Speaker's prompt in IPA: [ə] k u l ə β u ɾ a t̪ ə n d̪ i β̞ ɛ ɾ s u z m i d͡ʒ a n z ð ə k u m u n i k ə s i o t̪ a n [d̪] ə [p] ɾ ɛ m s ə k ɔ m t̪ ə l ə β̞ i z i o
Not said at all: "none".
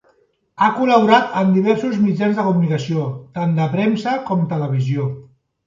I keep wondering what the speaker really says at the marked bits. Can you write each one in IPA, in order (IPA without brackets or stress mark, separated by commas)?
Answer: a, d̪, p